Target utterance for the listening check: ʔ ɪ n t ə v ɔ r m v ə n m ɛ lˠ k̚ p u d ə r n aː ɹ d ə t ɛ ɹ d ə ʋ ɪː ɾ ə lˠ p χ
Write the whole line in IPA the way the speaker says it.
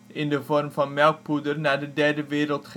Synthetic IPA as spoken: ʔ ɪ n d ə v ɔ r m v ɑ n m ɛ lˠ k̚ p u d ə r n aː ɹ d ə d ɛ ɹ d ə ʋ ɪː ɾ ə lˠ t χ